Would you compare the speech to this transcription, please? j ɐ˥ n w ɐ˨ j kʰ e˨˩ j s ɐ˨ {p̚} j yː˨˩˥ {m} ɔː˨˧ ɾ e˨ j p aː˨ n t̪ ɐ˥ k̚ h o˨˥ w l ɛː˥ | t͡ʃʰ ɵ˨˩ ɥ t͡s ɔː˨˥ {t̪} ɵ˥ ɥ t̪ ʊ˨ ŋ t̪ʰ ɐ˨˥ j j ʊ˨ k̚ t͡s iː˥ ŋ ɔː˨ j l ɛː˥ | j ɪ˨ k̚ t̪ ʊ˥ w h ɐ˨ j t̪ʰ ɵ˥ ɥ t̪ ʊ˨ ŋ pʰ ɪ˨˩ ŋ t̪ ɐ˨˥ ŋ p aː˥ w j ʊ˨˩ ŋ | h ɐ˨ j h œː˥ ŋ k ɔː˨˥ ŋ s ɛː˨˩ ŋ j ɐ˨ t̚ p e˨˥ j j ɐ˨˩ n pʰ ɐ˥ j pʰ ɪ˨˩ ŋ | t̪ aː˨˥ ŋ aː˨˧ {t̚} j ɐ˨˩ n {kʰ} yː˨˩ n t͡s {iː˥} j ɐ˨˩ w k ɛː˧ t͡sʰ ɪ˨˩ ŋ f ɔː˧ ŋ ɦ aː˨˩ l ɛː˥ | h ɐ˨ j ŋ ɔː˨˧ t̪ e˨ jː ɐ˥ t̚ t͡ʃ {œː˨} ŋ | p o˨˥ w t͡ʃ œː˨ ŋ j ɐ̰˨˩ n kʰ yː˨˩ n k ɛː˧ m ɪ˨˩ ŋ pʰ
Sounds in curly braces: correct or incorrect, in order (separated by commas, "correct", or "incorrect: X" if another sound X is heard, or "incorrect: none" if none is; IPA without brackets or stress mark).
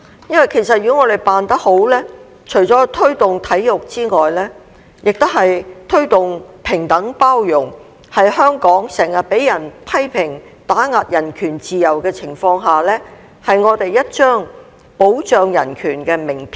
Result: incorrect: t̚, incorrect: ŋ, incorrect: t̪ʰ, correct, correct, incorrect: iː˨, incorrect: œː˥